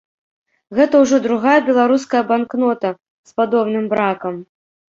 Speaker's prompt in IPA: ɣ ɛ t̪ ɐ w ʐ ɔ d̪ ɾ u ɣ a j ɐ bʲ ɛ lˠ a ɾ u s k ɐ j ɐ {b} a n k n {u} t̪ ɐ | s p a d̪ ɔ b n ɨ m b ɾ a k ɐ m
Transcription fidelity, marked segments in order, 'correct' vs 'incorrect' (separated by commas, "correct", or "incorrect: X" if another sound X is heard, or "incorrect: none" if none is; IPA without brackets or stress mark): correct, incorrect: ɔ